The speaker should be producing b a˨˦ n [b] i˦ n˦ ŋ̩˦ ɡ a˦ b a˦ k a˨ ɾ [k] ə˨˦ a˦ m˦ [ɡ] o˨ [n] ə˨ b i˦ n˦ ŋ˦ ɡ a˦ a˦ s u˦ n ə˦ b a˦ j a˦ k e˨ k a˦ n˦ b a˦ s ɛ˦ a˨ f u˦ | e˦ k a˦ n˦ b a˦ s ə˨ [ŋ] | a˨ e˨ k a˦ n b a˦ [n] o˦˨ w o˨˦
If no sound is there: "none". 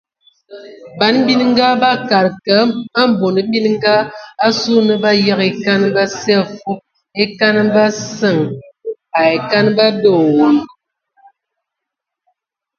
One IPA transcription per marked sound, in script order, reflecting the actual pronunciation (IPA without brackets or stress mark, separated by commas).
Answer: b, k, b, n, ŋ, d